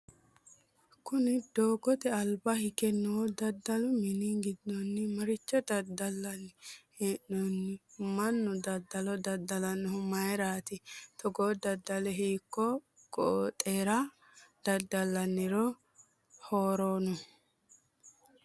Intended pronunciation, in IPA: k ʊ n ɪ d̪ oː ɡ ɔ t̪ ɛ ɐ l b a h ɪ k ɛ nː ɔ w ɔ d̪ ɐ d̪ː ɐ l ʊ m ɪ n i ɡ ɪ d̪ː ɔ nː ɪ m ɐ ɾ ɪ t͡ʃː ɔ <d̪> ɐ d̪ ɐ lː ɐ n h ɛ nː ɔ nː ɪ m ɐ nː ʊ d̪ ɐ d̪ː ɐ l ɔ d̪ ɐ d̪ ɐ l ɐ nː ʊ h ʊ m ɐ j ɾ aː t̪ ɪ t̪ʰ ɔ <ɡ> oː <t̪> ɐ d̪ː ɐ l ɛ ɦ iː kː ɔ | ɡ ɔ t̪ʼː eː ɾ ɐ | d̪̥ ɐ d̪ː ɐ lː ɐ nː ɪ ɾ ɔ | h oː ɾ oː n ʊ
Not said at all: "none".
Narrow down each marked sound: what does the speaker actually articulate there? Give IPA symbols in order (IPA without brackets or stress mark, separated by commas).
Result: d̪, ɡ, d̪